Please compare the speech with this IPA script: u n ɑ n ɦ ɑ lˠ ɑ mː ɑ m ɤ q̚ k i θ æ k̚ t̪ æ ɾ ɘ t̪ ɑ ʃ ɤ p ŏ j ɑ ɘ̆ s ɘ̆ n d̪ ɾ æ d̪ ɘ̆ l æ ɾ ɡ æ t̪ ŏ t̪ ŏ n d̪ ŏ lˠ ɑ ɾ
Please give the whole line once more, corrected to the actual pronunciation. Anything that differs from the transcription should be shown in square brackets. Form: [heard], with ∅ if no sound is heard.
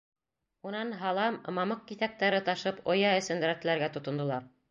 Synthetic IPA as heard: u n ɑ n ɦ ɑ lˠ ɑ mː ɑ m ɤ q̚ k i θ æ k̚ t̪ æ ɾ ɘ t̪ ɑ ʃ ɤ p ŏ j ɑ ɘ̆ s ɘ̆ n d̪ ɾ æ [t̪] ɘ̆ l æ ɾ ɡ æ t̪ ŏ t̪ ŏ n d̪ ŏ lˠ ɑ ɾ